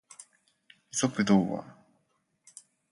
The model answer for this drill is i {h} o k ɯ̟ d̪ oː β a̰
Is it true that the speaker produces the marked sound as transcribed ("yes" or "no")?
no